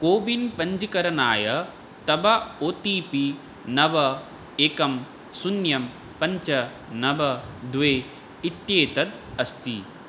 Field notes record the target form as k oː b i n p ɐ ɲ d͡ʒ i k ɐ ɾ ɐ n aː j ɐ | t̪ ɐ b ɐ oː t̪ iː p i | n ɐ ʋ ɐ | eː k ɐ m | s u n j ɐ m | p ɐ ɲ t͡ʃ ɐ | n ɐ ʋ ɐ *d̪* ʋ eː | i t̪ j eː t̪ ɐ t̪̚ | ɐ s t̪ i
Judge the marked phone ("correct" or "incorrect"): correct